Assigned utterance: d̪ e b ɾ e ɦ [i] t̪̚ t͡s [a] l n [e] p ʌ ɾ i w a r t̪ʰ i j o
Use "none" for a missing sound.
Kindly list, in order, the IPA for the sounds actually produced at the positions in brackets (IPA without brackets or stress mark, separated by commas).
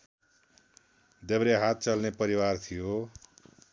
a, ʌ, e